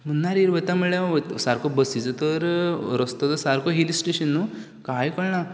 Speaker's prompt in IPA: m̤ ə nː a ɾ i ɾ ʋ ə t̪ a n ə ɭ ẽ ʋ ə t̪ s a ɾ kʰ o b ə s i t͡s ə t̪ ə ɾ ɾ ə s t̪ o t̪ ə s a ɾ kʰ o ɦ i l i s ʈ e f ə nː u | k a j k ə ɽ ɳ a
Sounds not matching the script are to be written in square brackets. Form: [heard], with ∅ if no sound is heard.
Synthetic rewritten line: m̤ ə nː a ɾ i ɾ ʋ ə t̪ a [m] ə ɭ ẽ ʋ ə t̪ s a ɾ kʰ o b ə s i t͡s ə t̪ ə ɾ ɾ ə s t̪ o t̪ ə s a ɾ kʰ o ɦ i l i s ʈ e [ɕ] ə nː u | k a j k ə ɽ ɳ a